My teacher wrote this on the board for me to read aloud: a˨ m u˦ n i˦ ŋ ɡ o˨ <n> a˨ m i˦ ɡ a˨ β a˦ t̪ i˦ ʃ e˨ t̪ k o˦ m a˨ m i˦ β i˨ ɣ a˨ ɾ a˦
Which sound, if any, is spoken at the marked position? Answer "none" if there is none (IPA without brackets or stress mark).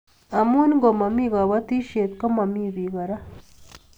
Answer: m